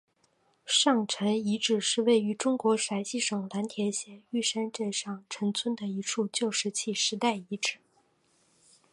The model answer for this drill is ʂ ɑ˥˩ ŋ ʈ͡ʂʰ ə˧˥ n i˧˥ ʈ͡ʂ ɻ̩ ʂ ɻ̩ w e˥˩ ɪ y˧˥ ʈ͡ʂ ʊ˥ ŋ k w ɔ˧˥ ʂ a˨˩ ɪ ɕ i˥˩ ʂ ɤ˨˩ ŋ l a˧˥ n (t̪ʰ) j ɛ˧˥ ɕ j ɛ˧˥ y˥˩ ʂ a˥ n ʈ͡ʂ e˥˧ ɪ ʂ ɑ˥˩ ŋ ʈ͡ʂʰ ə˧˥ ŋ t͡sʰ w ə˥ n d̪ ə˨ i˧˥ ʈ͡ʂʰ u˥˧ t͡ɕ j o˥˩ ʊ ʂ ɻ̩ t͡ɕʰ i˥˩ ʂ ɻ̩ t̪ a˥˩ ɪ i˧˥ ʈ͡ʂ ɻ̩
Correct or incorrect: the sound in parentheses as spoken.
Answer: correct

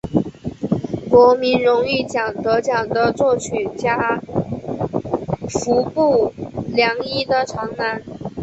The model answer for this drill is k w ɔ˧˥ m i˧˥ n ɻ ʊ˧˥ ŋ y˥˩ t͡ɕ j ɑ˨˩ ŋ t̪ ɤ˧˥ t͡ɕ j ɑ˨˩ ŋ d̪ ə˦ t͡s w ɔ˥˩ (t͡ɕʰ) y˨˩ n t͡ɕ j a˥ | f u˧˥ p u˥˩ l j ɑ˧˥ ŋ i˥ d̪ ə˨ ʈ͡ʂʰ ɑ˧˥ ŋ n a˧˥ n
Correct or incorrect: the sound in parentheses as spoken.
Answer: correct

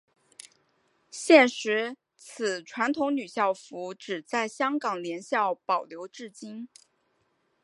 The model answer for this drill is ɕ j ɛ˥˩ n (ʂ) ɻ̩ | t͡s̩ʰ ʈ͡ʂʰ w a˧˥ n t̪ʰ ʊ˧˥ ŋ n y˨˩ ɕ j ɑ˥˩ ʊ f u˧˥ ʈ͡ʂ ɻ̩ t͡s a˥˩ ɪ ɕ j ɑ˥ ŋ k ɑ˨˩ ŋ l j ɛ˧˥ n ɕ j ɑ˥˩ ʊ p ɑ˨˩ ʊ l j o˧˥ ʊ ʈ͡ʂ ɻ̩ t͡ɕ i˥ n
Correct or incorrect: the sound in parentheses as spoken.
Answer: correct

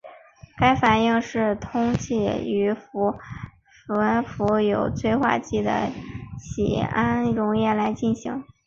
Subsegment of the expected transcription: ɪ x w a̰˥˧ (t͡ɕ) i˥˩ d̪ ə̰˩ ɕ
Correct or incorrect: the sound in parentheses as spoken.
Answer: correct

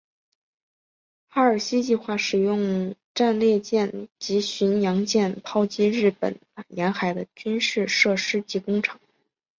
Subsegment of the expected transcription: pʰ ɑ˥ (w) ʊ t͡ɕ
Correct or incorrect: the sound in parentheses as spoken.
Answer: incorrect: none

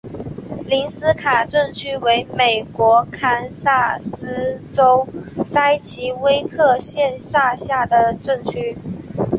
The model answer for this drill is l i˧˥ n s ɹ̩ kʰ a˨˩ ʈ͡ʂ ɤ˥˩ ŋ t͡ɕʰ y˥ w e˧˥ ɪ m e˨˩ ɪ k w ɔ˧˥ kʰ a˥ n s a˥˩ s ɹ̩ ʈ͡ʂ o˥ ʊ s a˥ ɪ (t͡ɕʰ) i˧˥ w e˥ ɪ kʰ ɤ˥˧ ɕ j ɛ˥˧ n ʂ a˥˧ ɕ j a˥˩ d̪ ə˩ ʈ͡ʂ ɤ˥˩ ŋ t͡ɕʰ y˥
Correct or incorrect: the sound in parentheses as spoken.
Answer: correct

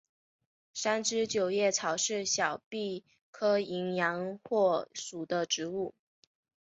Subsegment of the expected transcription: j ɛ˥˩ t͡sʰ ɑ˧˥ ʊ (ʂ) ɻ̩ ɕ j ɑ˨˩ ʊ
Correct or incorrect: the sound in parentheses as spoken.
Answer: correct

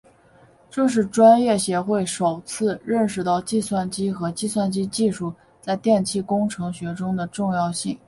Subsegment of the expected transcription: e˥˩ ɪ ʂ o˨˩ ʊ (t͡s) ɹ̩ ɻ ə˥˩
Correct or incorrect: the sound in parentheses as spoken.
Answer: incorrect: t͡sʰ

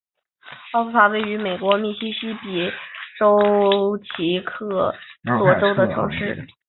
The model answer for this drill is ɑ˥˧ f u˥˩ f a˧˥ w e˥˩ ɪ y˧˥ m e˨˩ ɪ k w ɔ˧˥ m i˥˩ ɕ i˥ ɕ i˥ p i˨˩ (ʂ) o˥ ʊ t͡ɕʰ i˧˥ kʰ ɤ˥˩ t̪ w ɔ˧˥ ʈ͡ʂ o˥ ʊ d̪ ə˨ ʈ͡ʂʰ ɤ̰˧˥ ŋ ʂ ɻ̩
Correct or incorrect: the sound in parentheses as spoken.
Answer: incorrect: ʈ͡ʂ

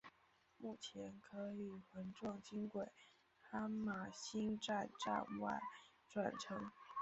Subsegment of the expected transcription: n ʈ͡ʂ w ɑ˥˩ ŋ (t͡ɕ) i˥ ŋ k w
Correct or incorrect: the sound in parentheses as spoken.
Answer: correct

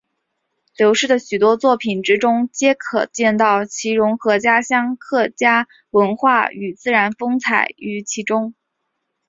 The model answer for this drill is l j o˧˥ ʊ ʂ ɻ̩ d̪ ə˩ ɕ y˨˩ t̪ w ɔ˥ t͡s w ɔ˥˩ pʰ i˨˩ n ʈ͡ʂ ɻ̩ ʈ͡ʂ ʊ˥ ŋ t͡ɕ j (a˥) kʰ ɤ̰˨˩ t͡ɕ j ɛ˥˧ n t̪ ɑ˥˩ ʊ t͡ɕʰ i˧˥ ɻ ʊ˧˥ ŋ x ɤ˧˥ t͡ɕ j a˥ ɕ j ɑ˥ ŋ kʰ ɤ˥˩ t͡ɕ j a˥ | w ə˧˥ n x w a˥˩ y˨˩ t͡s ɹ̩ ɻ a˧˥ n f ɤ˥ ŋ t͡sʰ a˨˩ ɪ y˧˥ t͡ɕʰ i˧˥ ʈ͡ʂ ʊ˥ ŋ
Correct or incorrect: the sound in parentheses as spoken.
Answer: incorrect: ɛ˥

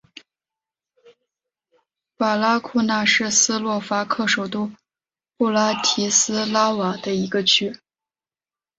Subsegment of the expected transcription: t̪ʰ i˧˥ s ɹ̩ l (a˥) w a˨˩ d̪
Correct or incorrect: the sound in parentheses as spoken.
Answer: correct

